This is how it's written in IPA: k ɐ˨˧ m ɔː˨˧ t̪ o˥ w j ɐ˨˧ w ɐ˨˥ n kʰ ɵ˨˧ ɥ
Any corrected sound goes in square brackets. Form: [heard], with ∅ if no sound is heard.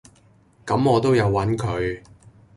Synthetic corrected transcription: k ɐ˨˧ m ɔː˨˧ t̪ o˥ w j ɐ˨˧ [wː] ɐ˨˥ n kʰ ɵ˨˧ ɥ